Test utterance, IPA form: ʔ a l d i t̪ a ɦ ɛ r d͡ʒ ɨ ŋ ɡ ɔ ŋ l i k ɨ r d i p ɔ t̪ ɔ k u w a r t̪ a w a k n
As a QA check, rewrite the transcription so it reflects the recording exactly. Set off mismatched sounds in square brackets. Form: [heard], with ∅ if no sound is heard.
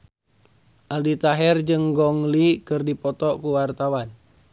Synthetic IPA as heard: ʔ a l d i t̪ a ɦ ɛ r d͡ʒ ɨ ŋ ɡ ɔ ŋ l i k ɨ r d i p ɔ t̪ ɔ k u w a r t̪ a w a [∅] n